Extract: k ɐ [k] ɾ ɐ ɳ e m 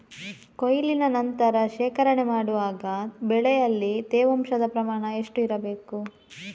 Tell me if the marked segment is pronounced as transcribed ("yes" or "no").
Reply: no